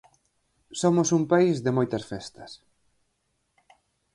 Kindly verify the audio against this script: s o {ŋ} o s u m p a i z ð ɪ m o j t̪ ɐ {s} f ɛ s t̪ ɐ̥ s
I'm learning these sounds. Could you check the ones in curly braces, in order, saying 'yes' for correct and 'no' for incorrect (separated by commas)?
no, yes